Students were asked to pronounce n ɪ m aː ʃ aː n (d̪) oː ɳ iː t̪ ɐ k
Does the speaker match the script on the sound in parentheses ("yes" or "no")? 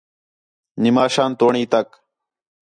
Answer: no